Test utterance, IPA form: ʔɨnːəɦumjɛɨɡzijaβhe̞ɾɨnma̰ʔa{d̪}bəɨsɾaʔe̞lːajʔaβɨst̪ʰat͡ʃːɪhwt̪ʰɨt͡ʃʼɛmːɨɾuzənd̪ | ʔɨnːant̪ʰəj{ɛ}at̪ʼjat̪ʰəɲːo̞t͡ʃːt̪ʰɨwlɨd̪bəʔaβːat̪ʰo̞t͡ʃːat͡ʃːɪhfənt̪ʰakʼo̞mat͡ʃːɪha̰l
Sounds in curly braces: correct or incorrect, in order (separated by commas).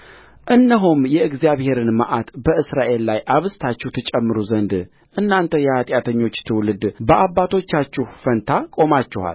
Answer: incorrect, correct